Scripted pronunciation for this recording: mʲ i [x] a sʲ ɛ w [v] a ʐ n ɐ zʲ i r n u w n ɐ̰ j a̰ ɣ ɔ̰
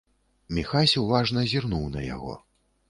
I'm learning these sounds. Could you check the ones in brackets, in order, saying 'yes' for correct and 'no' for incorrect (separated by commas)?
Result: yes, yes